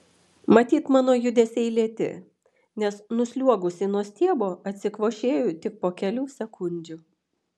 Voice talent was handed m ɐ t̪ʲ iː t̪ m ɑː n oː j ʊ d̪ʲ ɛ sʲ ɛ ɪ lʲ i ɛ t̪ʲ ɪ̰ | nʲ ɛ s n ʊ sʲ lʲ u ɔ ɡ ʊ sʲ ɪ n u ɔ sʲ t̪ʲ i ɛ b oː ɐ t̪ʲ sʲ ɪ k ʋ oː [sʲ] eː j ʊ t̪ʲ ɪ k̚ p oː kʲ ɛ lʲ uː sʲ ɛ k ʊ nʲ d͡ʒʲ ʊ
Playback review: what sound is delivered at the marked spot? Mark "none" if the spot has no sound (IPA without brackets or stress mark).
ʃʲ